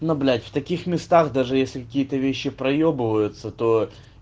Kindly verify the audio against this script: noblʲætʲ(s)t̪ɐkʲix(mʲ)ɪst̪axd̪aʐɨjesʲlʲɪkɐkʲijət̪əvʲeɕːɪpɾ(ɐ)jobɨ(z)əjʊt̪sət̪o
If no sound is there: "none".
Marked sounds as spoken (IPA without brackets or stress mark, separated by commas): f, mʲ, ɐ, v